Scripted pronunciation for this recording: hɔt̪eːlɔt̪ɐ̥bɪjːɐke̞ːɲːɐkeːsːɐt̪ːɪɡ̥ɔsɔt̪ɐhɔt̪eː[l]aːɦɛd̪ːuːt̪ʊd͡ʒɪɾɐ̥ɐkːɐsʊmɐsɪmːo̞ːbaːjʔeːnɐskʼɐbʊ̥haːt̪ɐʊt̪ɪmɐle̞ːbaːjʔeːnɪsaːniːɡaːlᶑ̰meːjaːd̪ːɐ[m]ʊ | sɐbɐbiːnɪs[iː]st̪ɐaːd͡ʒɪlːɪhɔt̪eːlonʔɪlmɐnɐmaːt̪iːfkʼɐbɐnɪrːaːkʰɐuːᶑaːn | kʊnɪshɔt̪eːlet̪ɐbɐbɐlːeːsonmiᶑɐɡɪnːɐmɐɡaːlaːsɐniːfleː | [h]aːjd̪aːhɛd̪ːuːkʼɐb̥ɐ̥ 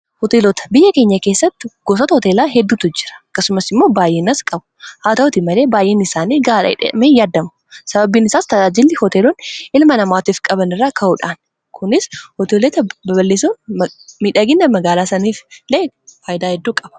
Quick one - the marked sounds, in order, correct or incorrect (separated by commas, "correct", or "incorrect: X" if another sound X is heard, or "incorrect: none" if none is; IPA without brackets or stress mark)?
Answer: correct, correct, incorrect: aː, incorrect: f